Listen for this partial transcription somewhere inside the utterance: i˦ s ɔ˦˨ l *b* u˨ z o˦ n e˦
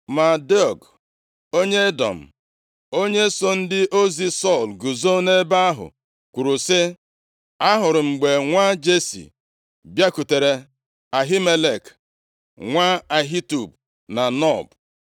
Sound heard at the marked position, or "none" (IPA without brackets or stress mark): ɡ